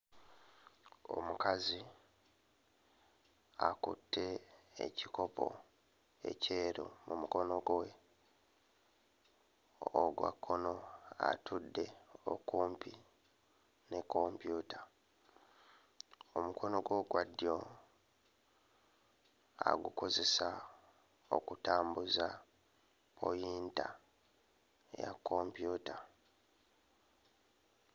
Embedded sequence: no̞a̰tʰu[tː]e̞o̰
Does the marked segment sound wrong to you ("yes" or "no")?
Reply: yes